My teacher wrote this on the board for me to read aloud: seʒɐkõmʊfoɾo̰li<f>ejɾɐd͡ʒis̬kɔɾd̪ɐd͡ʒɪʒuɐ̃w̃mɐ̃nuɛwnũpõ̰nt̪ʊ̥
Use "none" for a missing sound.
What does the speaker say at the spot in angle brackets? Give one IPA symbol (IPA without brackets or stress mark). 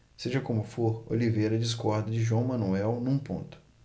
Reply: v